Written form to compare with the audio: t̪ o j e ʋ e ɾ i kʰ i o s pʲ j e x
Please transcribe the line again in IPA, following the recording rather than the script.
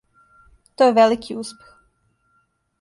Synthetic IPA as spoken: t̪ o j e ʋ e l i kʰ i u s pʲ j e x

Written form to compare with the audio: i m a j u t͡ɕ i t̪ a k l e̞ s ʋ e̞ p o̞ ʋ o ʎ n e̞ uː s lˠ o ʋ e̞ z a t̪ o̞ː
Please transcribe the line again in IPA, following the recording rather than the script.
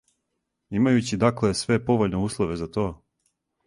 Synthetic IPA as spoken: i m a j u t͡ɕ i d̪ a k l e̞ s ʋ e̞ p o̞ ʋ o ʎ n e̞ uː s lˠ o ʋ e̞ z a t̪ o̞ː

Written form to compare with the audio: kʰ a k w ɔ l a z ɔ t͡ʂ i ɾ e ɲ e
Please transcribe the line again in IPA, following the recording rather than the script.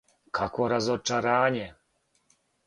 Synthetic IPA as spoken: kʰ a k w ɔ ɾ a z ɔ t͡ʂ a ɾ a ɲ ɛ

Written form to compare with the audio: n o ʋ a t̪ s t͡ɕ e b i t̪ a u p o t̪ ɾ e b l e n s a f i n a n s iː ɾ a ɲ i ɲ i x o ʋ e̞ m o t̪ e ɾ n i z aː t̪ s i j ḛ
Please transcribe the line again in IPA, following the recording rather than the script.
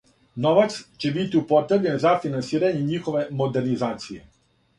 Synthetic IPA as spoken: n o ʋ a t̪ s t͡ɕ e b i t̪ i u p o t̪ ɾ e b ʎ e n z a f i n a n s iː ɾ a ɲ e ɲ i x o ʋ e̞ m o d̪ e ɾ n i z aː t̪ s i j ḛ

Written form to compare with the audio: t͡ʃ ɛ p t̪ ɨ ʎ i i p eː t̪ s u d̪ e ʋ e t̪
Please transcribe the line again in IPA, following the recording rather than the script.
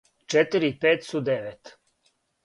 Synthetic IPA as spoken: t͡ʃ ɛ t̪ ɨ ɾ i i p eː t̪ s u d̪ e ʋ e t̪

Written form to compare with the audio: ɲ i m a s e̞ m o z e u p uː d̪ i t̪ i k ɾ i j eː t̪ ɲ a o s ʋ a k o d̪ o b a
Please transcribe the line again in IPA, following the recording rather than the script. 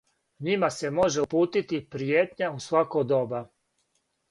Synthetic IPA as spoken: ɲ i m a s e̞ m o ʒ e u p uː t̪ i t̪ i p ɾ i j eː t̪ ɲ a u s ʋ a k o d̪ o b a

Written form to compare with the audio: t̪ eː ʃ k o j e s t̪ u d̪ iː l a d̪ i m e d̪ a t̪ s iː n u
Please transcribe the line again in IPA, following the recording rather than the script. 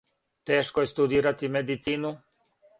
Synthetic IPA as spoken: t̪ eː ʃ k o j e s t̪ u d̪ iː ɾ a t̪ i m e d̪ i t̪ s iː n u

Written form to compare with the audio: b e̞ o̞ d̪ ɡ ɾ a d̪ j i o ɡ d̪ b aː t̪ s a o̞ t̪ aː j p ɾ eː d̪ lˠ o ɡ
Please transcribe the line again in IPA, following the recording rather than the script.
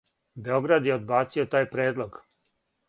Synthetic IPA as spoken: b e̞ o̞ ɡ ɾ a d̪ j e o d̪ b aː t̪ s i o̞ t̪ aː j p ɾ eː d̪ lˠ o ɡ

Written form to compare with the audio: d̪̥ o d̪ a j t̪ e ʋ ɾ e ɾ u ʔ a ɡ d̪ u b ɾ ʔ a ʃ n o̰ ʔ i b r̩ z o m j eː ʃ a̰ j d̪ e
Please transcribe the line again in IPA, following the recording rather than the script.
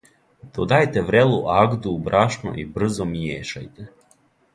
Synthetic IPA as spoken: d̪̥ o d̪ a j t̪ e ʋ ɾ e l u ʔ a ɡ d̪ u b ɾ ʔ a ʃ n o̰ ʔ i b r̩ z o m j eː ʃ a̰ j t̪ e

